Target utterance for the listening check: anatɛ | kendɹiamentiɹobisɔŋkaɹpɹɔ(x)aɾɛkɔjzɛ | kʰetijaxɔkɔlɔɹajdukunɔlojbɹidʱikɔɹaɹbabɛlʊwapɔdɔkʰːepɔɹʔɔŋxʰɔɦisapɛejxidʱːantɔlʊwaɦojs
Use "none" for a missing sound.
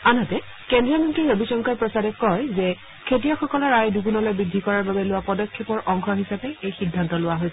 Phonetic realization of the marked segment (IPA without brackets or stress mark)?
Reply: s